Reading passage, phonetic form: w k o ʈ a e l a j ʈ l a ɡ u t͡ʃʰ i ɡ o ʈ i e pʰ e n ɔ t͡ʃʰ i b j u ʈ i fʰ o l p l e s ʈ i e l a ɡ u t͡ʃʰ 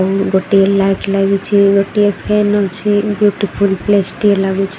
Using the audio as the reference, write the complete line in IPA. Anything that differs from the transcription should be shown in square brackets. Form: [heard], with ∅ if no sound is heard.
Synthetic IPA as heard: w [ɡ] o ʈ [i] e l a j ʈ l a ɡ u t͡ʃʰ i ɡ o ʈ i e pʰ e n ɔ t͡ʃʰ i b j u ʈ i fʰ [u] l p l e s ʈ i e l a ɡ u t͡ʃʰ